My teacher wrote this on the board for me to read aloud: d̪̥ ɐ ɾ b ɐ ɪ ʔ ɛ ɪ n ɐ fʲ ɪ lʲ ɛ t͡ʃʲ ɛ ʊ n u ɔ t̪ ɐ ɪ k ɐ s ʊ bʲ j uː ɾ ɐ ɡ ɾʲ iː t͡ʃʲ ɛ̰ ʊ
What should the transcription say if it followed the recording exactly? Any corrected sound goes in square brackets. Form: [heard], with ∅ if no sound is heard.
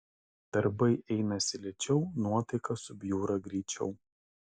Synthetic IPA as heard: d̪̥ ɐ ɾ b ɐ ɪ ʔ ɛ ɪ n ɐ [sʲ] ɪ lʲ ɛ t͡ʃʲ ɛ ʊ n u ɔ t̪ ɐ ɪ k ɐ s ʊ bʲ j uː ɾ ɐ ɡ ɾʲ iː t͡ʃʲ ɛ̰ ʊ